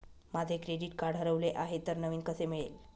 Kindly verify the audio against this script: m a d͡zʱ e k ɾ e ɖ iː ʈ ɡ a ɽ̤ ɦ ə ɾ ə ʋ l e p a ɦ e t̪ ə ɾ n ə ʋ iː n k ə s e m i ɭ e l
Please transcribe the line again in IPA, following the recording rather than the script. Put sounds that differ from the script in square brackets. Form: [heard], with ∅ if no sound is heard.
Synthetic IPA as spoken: m a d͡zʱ e k ɾ e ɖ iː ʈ [k] a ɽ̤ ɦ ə ɾ ə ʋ l e [ʔ] a ɦ e t̪ ə ɾ n ə ʋ iː n k ə s e m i ɭ e l